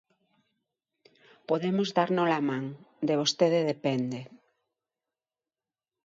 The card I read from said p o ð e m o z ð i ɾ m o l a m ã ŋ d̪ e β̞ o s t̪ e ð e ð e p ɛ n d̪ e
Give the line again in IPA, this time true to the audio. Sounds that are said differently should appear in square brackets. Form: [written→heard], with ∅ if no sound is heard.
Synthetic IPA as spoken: p o ð e m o z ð [i→a] ɾ [m→n] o l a m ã ŋ d̪ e β̞ o s t̪ e ð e ð e p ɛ n d̪ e